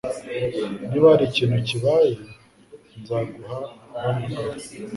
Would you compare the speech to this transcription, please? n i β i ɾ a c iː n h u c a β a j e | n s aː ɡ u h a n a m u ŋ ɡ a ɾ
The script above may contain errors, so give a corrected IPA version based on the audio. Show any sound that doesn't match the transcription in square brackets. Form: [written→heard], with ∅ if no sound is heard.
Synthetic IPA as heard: n i β [i→a] ɾ [a→i] c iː n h u c [a→i] β a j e | n [s→z] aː ɡ u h a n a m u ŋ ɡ a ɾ